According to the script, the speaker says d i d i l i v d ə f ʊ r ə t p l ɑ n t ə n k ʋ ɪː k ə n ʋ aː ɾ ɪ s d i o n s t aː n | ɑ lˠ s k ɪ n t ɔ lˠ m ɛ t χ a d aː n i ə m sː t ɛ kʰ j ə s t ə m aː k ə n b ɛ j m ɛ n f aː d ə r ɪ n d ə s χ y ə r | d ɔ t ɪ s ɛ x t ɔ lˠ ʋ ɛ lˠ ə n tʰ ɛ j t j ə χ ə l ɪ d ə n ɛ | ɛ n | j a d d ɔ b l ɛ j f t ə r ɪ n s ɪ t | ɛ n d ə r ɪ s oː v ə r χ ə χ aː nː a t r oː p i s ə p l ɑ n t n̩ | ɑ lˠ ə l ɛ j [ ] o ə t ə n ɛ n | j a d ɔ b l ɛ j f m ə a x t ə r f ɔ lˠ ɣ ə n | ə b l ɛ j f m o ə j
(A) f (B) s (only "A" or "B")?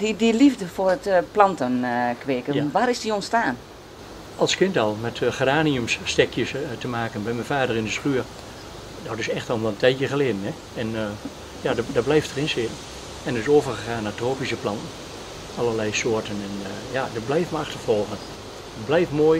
B